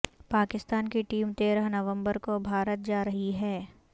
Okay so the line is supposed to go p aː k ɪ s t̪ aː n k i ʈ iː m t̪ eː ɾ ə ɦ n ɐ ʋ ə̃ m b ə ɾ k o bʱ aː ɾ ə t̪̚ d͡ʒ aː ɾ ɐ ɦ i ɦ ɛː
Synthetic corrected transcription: p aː k ɪ s t̪ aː n k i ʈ iː m t̪ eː ɾ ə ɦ n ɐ ʋ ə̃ m b ə ɾ k o bʱ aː ɾ ə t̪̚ d͡ʒ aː ɾ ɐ ɦ i ɦ ɛː